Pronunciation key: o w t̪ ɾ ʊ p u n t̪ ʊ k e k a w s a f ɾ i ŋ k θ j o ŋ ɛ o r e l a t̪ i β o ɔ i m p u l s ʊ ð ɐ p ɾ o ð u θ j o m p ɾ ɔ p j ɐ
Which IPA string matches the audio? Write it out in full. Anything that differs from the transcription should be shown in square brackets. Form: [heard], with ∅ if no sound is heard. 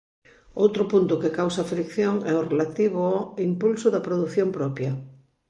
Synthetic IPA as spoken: o w t̪ ɾ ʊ p u n t̪ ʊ k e k a w s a f ɾ i [∅] k θ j o ŋ ɛ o r e l a t̪ i β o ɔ i m p u l s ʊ ð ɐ p ɾ o ð u θ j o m p ɾ ɔ p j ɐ